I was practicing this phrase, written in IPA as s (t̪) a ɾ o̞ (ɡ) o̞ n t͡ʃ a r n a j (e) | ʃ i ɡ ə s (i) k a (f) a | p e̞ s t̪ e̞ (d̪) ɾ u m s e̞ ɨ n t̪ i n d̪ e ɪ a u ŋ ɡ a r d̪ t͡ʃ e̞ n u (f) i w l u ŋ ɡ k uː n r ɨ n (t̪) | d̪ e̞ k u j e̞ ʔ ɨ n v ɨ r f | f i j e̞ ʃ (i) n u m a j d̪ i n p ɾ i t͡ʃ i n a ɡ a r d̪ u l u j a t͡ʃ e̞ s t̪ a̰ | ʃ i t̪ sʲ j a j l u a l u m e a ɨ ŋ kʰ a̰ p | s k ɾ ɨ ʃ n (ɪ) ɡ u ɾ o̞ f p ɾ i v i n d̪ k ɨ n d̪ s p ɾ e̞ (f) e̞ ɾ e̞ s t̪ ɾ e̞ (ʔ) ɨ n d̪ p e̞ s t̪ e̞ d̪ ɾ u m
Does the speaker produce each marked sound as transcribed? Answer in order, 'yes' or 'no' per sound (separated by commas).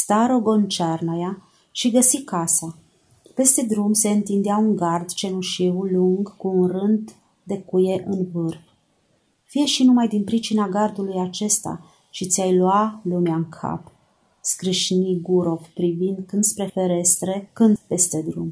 yes, yes, no, yes, no, yes, no, no, yes, no, yes, no